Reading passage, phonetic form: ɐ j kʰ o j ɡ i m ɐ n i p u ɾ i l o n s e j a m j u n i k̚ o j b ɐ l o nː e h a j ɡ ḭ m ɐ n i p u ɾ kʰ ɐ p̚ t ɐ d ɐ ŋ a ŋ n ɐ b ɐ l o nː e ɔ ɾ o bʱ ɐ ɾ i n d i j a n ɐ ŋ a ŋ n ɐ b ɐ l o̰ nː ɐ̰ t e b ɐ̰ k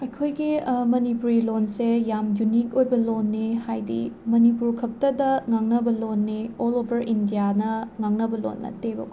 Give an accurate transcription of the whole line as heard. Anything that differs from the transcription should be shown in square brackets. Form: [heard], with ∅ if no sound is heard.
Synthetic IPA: ɐ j kʰ o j ɡ i m ɐ n i p u ɾ i l o n s e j a m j u n i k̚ o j b ɐ l o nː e h a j [d] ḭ m ɐ n i p u ɾ kʰ ɐ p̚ t ɐ d ɐ ŋ a ŋ n ɐ b ɐ l o nː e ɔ [l] o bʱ ɐ ɾ i n d i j a n ɐ ŋ a ŋ n ɐ b ɐ l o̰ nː ɐ̰ t e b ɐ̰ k